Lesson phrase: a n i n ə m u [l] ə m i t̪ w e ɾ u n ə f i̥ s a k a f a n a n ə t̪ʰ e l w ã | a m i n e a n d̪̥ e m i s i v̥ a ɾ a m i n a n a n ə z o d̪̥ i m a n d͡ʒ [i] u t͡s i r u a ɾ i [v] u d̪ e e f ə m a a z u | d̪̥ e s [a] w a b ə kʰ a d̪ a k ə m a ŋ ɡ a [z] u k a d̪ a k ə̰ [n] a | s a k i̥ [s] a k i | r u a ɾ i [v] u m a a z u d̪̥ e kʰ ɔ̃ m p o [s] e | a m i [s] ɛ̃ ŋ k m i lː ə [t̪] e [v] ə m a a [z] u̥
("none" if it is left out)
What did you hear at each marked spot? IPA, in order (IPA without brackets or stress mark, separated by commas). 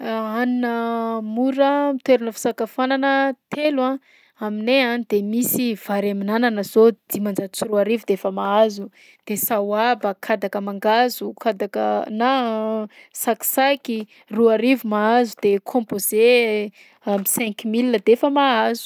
ɾ, a, v, a, z, n, s, v, z, s, d̪, f, z